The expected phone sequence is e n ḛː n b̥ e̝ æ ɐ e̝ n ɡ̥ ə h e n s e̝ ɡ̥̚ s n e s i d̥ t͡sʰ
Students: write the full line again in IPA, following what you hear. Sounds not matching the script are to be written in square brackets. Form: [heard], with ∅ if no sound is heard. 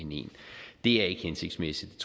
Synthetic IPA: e n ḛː n [d̥] e̝ æ ɐ e̝ [∅] ɡ̥ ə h e n s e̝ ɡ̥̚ s [m] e s i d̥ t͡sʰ

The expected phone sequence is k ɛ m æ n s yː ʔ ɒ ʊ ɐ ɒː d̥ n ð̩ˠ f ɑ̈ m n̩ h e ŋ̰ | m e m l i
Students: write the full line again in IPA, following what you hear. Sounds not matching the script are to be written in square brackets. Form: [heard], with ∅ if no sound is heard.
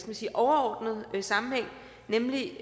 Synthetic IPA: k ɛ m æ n s [iː] ʔ ɒ ʊ ɐ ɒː d̥ n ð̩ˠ [s] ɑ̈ m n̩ h e ŋ̰ | [n] e m l i

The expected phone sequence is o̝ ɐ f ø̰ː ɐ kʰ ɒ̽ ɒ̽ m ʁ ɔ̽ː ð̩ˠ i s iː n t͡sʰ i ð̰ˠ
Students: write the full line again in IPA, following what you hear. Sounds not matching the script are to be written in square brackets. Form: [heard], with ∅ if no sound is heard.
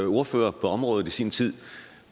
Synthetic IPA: o̝ ɐ f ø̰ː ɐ [pʰ] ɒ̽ ɒ̽ m ʁ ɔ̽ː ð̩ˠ i s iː n t͡sʰ i ð̰ˠ

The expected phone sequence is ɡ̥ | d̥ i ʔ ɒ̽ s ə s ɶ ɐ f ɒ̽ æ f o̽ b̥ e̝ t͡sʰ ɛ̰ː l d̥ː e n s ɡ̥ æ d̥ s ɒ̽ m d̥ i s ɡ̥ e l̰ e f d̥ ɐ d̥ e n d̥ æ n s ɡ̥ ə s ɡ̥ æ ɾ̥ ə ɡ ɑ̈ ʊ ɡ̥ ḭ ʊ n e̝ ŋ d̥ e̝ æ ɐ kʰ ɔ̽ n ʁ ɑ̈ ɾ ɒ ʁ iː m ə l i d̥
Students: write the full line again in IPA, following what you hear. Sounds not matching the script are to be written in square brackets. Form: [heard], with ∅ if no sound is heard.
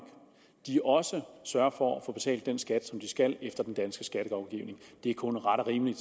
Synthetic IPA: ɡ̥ | d̥ i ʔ ɒ̽ s ə s ɶ ɐ f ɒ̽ æ f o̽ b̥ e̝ t͡sʰ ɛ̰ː l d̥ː e n s ɡ̥ æ d̥ s ɒ̽ m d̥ i s ɡ̥ [æ] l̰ e f d̥ ɐ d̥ e n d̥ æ n s ɡ̥ ə s ɡ̥ æ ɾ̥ ə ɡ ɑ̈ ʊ ɡ̥ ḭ ʊ n e̝ ŋ d̥ e̝ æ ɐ kʰ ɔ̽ n ʁ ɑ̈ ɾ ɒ ʁ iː m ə l i d̥

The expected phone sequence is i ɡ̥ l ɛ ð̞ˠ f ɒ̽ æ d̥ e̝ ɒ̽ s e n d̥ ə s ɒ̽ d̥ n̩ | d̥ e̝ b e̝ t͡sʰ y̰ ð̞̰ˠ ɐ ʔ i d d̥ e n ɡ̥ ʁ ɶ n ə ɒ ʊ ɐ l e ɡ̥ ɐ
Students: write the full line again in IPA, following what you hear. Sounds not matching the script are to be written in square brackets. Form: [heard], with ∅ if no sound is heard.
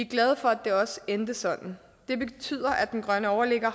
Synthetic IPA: i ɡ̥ l ɛ ð̞ˠ f ɒ̽ æ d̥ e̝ ɒ̽ s e n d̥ ə s ɒ̽ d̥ n̩ | d̥ e̝ b e̝ t͡sʰ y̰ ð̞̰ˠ ɐ ʔ [æ] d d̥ e n ɡ̥ ʁ ɶ n ə ɒ ʊ ɐ l e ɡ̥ ɐ

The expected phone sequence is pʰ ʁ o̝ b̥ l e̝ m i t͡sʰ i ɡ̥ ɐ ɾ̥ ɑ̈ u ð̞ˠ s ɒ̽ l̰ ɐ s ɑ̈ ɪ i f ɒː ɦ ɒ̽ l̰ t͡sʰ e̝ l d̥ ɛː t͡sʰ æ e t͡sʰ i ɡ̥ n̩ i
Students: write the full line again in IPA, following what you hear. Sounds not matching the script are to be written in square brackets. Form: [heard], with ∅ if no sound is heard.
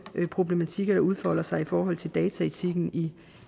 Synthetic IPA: pʰ ʁ o̝ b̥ l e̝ m [æ] t͡sʰ i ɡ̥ ɐ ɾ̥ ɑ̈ u ð̞ˠ [f] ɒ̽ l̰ ɐ s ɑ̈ ɪ i f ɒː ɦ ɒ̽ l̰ t͡sʰ e̝ l d̥ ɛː t͡sʰ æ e t͡sʰ i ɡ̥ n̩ i

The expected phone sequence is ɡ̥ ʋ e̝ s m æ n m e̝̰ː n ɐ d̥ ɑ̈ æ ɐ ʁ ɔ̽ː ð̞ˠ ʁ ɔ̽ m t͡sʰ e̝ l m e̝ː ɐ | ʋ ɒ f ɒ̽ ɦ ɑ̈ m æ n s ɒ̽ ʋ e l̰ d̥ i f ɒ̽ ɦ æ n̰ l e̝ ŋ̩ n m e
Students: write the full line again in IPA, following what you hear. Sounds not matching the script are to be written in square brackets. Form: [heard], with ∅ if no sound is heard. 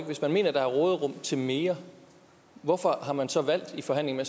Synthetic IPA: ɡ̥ ʋ e̝ s m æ n m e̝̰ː n ɐ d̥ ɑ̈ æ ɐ ʁ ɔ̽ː ð̞ˠ ʁ ɔ̽ m t͡sʰ e̝ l m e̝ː ɐ | ʋ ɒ f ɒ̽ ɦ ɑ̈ m æ n s ɒ̽ ʋ [æ] l̰ d̥ i f ɒ̽ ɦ æ n̰ l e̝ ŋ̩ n m e

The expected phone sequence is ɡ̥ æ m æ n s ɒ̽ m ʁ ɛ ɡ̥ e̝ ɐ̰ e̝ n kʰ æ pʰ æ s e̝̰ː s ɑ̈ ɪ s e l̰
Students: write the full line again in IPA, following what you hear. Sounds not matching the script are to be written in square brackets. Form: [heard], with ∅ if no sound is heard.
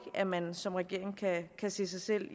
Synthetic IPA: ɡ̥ æ m æ n s ɒ̽ m ʁ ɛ ɡ̥ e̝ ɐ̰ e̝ [ŋ] kʰ æ [kʰ] æ s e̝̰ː s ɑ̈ ɪ s e l̰

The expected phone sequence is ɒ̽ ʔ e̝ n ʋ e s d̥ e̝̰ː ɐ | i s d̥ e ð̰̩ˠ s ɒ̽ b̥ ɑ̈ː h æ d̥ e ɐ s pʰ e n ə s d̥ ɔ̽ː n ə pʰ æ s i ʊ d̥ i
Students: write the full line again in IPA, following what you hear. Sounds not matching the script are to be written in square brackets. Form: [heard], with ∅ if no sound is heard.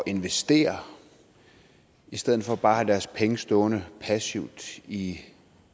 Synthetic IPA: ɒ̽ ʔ e̝ n ʋ e s d̥ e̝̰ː ɐ | i s d̥ e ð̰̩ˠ [f] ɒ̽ b̥ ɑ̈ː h æ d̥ [æ] ɐ s pʰ e [ŋ] ə s d̥ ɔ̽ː n ə pʰ æ s i ʊ d̥ i

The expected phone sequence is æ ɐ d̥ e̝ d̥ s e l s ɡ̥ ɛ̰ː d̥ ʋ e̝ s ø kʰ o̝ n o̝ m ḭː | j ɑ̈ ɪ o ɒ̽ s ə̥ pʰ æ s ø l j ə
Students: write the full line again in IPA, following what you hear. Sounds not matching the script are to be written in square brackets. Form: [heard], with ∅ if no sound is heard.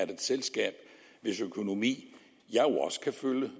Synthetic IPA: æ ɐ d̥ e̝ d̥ s e l s ɡ̥ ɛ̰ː [b̥] ʋ e̝ s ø kʰ o̝ n o̝ m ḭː | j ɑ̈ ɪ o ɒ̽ s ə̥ [kʰ] æ [f] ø l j ə

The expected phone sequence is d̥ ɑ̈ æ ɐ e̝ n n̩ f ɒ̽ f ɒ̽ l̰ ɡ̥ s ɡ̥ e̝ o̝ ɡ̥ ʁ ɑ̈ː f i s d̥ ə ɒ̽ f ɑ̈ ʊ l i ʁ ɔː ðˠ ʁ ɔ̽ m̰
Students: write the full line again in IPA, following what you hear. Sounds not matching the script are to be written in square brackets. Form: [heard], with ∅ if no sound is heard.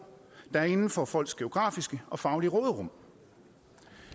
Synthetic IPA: d̥ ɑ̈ æ ɐ e̝ n n̩ f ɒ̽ f ɒ̽ l̰ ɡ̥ s ɡ̥ e̝ o̝ ɡ̥ ʁ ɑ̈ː f i s [ɡ̥] ə ɒ̽ f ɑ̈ ʊ l i ʁ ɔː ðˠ ʁ ɔ̽ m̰

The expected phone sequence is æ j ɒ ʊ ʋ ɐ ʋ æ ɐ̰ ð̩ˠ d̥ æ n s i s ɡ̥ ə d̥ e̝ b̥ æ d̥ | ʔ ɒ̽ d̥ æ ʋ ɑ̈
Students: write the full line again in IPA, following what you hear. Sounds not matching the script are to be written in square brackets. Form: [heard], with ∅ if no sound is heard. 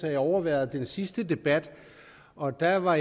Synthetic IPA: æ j ɒ ʊ [∅] ɐ ʋ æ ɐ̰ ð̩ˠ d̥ [e] n s i s [d̥] ə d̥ e̝ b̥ æ d̥ | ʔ ɒ̽ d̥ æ ʋ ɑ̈

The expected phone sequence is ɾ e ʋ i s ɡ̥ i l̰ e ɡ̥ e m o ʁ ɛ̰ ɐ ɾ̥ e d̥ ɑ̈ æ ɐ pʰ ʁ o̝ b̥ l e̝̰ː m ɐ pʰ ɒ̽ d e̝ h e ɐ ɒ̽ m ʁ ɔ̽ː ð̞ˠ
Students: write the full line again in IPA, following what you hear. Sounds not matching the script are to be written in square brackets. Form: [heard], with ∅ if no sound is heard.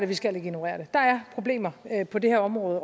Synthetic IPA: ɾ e ʋ i s ɡ̥ [æ] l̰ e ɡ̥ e [n] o ʁ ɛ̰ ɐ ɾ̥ e d̥ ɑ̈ æ ɐ pʰ ʁ o̝ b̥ l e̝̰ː m ɐ pʰ ɒ̽ d e̝ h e ɐ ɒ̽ m ʁ ɔ̽ː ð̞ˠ

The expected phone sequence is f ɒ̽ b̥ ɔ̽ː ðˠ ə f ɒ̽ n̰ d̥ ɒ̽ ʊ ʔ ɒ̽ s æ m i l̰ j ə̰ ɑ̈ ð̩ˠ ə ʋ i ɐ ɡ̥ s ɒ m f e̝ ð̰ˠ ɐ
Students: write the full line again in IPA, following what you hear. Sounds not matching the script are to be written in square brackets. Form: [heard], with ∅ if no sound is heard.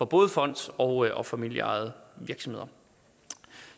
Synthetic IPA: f ɒ̽ b̥ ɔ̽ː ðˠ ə f ɒ̽ n̰ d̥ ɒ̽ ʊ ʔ ɒ̽ [f] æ m i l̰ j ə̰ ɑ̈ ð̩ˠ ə ʋ i ɐ ɡ̥ s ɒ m [h] e̝ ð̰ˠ ɐ

